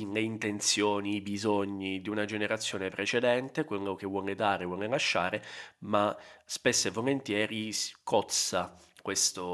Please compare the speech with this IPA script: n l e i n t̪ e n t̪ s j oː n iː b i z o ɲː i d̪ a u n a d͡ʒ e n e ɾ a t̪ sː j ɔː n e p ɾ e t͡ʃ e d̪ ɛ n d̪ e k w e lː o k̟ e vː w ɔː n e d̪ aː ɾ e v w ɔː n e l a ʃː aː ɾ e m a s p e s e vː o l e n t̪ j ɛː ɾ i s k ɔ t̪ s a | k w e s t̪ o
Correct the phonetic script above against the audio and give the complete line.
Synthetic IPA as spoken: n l e i n t̪ e n t̪ s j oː n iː b i z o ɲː i d̪ i u n a d͡ʒ e n e ɾ a t̪ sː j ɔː n e p ɾ e t͡ʃ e d̪ ɛ n t̪ e k w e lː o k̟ e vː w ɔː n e d̪ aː ɾ e v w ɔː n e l a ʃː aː ɾ e m a s p e sː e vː o l e n t̪ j ɛː ɾ i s k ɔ t̪ s a | k w e s t̪ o